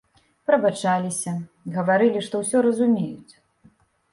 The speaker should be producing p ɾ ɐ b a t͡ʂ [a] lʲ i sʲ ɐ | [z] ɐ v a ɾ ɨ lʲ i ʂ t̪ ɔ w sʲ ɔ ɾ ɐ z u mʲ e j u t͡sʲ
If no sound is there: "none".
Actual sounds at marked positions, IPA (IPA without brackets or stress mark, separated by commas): a, ɣ